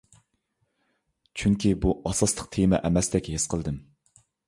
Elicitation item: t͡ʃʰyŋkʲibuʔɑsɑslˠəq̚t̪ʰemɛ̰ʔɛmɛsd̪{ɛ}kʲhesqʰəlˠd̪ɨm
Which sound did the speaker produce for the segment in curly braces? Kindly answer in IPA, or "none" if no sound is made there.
ɛ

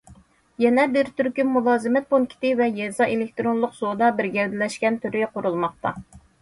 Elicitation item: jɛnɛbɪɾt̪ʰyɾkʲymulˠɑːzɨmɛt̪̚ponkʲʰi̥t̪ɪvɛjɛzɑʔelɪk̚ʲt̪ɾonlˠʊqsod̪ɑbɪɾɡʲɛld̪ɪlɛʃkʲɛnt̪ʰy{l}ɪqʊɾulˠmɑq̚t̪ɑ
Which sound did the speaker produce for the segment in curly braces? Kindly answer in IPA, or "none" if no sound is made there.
ɾ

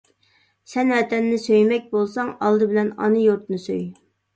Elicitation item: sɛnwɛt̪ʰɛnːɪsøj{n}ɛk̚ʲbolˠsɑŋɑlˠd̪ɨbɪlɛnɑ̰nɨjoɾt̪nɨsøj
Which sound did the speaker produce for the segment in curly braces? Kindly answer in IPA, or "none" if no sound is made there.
m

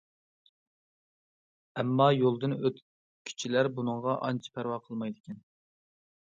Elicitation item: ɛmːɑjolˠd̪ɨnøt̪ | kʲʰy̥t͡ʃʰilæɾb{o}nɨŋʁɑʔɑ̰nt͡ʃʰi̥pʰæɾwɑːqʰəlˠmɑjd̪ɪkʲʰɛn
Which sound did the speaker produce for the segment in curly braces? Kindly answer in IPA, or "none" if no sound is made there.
u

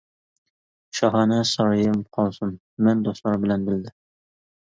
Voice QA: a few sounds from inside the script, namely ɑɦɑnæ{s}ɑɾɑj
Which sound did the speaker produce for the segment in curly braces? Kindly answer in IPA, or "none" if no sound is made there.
s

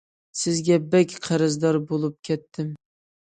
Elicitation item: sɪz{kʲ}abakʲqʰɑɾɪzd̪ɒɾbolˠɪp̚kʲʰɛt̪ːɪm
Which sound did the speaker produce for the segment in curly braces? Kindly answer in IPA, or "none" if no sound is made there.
ɡʲ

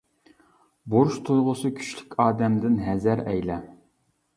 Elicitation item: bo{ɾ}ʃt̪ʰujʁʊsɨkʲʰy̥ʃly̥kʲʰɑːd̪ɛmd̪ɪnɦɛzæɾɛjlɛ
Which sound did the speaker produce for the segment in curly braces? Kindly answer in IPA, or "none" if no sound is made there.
ɾ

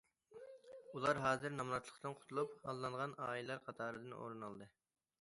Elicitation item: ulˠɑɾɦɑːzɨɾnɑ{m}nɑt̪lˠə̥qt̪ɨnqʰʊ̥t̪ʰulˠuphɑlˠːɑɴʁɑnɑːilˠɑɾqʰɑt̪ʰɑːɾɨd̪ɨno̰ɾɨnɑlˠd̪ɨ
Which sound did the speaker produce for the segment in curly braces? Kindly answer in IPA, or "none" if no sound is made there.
m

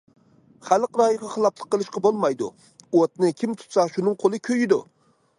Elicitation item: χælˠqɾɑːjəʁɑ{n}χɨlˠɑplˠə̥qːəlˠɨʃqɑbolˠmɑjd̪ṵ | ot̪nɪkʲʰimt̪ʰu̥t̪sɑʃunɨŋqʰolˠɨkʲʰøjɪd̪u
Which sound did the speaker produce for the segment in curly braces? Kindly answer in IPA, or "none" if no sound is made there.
none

